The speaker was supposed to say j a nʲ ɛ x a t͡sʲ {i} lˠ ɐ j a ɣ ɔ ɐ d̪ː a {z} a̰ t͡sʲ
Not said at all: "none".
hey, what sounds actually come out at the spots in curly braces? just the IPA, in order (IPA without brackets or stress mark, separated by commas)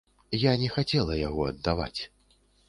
ɛ, v